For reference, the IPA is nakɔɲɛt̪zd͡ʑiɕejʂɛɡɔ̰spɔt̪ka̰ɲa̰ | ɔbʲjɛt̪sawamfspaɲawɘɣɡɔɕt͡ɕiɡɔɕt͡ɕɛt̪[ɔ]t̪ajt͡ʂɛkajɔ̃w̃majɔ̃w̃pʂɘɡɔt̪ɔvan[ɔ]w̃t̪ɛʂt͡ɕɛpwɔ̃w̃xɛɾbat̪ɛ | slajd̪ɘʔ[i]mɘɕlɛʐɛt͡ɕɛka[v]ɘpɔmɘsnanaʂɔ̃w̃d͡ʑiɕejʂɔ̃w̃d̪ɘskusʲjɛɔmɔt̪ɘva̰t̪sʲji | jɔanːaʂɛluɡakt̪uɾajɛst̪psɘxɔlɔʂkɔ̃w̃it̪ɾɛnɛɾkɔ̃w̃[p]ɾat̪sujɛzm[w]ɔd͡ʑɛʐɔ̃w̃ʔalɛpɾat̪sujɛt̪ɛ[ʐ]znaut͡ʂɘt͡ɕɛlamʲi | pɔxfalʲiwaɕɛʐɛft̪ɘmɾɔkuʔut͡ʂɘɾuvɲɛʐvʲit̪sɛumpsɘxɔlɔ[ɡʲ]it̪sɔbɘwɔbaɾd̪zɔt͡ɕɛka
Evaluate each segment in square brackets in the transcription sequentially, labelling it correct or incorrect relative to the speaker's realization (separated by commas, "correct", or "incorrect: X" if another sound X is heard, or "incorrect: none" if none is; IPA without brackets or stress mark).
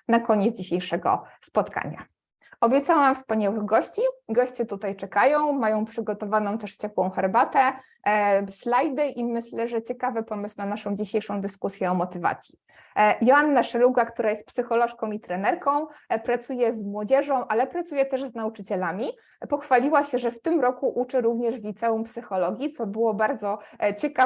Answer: incorrect: u, incorrect: ɔ̃, correct, correct, correct, correct, correct, correct